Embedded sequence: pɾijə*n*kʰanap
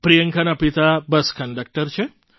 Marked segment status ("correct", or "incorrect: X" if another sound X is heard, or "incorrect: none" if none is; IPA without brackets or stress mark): incorrect: ŋ